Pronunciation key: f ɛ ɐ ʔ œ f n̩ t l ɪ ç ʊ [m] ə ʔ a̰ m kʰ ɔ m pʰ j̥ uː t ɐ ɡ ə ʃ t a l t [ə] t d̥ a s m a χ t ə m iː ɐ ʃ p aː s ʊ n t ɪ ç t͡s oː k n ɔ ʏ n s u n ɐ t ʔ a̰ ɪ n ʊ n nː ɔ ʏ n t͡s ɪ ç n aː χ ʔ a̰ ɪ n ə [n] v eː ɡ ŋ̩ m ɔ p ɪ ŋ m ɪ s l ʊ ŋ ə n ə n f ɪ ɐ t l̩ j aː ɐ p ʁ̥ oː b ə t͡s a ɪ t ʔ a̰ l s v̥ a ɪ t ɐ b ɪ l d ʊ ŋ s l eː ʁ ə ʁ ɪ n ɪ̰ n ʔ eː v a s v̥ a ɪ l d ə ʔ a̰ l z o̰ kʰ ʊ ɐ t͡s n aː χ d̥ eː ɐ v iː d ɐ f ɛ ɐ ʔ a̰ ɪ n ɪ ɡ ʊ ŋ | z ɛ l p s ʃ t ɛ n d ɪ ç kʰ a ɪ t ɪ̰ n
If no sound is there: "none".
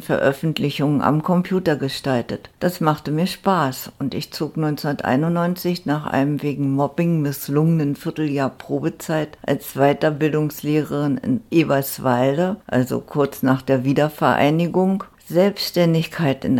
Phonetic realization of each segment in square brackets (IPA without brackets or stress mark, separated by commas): ŋ, ə, m